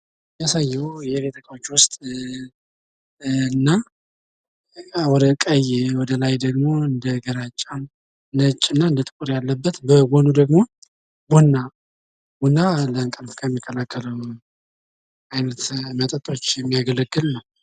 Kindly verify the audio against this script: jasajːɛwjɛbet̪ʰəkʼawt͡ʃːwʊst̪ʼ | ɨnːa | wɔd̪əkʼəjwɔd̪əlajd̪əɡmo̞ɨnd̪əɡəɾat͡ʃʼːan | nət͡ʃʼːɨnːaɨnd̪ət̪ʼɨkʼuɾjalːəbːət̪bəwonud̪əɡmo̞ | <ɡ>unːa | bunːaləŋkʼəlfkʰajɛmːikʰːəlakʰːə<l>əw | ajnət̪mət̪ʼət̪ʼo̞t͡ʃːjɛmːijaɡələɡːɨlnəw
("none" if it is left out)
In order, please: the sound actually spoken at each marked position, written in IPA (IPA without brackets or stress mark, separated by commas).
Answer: b, l